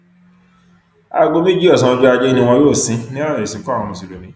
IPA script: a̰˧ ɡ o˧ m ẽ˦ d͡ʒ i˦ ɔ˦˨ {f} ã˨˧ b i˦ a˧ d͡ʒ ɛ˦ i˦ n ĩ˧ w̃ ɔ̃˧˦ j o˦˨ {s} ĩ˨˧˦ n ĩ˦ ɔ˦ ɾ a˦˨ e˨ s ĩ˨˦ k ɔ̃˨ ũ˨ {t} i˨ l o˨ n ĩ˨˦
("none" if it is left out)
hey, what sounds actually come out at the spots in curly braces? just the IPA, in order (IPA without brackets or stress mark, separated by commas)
s, s, s